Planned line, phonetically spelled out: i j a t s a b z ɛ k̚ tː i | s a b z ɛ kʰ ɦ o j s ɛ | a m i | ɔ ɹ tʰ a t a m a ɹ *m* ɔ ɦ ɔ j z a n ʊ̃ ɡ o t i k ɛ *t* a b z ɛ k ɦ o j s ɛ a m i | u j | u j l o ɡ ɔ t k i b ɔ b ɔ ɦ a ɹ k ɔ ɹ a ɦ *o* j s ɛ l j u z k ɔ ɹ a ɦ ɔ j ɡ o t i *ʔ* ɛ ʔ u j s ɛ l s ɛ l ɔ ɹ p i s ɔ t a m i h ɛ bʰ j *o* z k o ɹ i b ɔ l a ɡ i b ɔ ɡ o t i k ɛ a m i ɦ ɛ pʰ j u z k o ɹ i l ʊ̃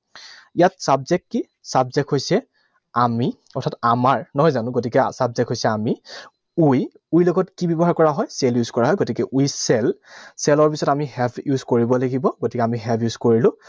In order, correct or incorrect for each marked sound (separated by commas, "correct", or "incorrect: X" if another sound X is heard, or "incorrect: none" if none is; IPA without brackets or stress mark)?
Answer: incorrect: n, incorrect: s, incorrect: ɔ, incorrect: k, incorrect: u